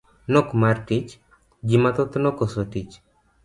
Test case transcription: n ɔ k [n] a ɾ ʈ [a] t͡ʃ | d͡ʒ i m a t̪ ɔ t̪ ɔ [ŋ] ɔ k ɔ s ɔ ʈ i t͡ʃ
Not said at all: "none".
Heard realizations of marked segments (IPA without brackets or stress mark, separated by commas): m, i, n